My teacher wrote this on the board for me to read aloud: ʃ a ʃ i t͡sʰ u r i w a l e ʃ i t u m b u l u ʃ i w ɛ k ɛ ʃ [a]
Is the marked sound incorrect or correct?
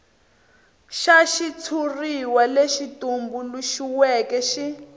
incorrect